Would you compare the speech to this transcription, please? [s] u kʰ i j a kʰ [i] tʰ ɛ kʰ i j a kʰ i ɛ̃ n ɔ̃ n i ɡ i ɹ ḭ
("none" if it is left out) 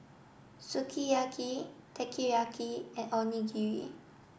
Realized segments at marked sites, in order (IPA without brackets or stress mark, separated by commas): s, i